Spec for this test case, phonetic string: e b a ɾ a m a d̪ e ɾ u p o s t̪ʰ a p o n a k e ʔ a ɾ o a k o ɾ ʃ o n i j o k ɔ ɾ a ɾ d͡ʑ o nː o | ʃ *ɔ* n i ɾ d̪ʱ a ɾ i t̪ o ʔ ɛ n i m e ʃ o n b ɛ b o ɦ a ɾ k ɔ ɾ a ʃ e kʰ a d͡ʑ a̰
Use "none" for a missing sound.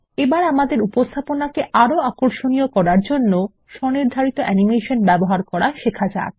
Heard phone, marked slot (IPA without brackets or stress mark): ɔ